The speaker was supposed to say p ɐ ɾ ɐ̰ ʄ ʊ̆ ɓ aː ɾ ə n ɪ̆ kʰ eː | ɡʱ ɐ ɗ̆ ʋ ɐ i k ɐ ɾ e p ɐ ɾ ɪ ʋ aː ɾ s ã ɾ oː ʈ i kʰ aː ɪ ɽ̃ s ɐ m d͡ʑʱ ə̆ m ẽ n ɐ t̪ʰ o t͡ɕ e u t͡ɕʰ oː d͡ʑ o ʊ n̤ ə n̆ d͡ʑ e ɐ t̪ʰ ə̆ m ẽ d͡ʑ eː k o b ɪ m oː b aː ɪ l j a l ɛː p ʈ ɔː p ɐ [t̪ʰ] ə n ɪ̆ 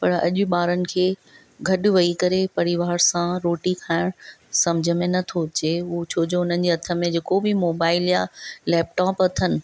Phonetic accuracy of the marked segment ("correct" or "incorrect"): correct